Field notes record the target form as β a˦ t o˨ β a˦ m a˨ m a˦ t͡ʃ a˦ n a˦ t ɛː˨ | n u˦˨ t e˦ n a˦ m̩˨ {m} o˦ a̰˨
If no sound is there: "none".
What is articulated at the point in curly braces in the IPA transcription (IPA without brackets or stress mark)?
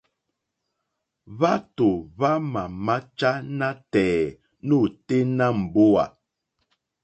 b